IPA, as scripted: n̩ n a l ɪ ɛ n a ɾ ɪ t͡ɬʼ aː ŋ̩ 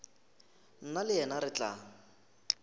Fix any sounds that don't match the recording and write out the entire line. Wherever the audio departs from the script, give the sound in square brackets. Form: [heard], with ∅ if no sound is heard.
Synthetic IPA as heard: n̩ n a l ɪ ɛ n a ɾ ɪ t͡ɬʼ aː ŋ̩